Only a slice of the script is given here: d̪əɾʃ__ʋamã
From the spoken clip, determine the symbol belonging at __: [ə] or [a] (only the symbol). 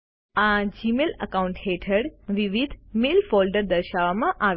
a